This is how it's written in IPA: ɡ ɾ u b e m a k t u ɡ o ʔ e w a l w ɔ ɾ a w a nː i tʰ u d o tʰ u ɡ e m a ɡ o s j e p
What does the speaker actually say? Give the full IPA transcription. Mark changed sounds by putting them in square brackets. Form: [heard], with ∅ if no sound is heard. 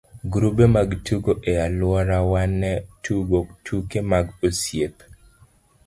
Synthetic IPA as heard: ɡ ɾ u b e m a [ɡ] t u ɡ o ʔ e [∅] a l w ɔ ɾ a w a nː [ɛ] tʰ u [ɡ] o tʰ u [k] e m a ɡ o s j e p